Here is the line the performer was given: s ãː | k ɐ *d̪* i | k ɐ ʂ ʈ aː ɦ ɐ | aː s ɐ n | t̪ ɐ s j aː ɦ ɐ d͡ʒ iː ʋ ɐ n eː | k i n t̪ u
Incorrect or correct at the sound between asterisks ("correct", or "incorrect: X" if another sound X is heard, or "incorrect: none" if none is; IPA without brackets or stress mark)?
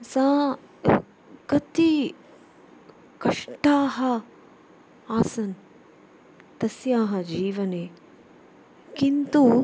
incorrect: t̪